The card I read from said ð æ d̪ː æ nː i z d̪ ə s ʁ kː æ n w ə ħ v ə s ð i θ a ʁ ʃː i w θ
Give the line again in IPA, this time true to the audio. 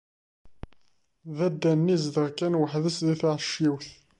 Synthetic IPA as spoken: ð æ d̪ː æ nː i z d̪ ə ʁ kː æ n w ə ħ ð ə s ð i θ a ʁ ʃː i w θ